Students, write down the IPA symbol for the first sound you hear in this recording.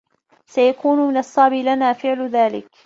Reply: s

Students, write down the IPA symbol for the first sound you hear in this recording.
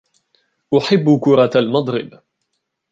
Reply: ʔ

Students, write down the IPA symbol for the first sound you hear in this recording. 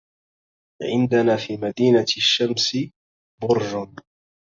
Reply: ʕ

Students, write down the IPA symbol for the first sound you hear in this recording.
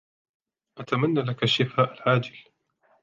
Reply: ʔ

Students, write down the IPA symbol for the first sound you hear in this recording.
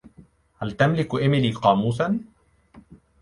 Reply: h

